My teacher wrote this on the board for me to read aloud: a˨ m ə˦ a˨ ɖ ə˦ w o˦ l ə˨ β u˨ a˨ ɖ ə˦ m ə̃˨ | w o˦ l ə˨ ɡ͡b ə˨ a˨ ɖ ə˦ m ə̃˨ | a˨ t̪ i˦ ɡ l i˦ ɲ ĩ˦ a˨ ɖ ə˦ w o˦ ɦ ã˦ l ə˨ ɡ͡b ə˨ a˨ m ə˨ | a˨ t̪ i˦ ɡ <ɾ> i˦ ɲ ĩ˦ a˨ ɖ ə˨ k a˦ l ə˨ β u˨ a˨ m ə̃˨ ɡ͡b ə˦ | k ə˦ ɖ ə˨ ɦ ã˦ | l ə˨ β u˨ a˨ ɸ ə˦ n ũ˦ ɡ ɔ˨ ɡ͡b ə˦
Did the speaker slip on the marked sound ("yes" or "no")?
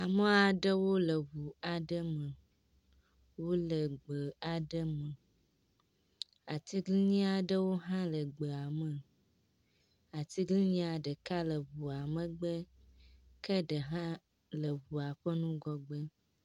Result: yes